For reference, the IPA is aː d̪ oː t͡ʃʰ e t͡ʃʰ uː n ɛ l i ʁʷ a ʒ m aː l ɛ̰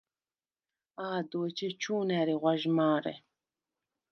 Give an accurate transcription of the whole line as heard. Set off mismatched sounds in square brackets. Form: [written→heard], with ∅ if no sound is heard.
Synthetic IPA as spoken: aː d̪ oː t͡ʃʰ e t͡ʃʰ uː n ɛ [l→ɾ] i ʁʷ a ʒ m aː [l→ɾ] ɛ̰

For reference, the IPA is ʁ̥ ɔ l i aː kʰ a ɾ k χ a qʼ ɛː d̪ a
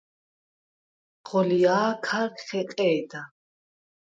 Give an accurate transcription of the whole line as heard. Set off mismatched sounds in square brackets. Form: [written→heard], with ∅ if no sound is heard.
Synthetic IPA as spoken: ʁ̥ ɔ l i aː kʰ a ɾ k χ [a→ɛ] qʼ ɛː d̪ a

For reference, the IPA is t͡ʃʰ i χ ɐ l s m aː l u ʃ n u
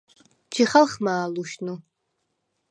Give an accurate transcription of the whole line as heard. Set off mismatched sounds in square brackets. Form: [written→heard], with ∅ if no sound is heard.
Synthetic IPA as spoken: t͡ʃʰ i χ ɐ l [s→χ] m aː l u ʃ n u

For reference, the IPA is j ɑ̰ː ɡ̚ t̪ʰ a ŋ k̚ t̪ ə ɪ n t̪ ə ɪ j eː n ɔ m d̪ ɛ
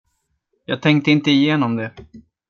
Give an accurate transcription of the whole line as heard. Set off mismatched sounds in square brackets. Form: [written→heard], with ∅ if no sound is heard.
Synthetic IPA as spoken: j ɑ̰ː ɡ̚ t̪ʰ [a→ɛ] ŋ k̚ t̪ ə ɪ n t̪ ə ɪ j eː n ɔ m d̪ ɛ

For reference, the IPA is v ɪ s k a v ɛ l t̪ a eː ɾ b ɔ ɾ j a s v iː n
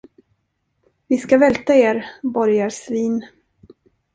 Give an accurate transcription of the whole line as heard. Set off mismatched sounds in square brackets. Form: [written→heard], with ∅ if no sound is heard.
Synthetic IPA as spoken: v ɪ s k a v ɛ l t̪ a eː ɾ b ɔ ɾ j a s v iː n

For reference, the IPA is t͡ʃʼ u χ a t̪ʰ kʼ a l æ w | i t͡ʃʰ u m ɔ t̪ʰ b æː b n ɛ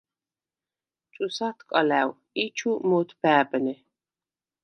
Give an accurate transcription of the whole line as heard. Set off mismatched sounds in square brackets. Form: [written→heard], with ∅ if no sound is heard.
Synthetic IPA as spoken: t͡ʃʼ u [χ→s] a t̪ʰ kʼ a l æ w | i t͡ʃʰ u m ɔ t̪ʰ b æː b n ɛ

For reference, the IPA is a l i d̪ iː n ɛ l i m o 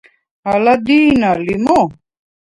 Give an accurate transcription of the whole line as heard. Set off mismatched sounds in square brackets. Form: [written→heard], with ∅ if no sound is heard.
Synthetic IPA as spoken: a l [i→a] d̪ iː n [ɛ→a] l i m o

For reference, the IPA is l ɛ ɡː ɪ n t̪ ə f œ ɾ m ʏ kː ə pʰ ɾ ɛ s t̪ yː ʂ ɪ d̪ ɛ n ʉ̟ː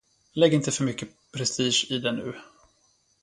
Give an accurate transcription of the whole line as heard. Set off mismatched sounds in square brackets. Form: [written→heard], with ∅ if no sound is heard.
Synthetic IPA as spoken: l ɛ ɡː ɪ n t̪ ə f œ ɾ m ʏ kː ə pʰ ɾ ɛ s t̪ [yː→iː] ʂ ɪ d̪ ɛ n ʉ̟ː

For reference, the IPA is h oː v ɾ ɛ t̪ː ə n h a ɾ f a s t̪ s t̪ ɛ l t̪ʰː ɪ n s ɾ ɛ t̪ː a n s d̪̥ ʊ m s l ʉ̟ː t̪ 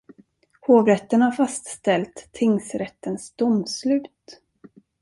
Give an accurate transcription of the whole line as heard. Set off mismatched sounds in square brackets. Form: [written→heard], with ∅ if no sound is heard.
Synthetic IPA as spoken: h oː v ɾ ɛ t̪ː ə n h a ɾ f a s t̪ s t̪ ɛ l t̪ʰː ɪ [n→ŋ] s ɾ ɛ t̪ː [a→ə] n s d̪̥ ʊ m s l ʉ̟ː t̪

